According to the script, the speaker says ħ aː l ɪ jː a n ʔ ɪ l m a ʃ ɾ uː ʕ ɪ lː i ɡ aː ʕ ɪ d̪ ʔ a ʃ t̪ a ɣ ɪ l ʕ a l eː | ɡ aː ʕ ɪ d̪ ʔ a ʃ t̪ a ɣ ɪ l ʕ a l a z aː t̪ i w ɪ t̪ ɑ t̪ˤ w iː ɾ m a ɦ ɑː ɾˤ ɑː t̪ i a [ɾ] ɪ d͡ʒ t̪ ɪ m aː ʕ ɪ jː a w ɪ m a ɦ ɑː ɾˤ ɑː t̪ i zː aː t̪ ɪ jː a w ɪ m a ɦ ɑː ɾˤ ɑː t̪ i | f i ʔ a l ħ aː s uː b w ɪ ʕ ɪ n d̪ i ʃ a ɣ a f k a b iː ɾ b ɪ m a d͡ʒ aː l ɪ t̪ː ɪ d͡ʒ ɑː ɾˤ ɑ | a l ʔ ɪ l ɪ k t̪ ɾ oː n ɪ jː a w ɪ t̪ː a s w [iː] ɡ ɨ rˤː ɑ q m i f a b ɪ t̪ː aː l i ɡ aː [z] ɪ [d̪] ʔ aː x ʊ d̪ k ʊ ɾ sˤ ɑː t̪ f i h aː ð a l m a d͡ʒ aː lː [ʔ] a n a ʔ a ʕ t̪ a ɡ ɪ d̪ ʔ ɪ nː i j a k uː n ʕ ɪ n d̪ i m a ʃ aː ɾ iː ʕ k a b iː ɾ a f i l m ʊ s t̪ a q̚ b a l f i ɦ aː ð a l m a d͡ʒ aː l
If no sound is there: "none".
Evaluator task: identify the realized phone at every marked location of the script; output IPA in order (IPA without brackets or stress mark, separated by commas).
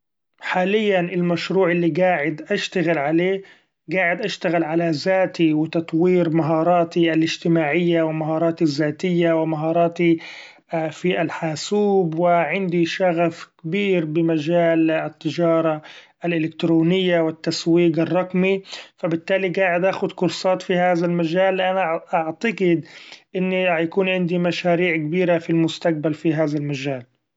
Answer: l, iː, ʕ, d̪, ʔ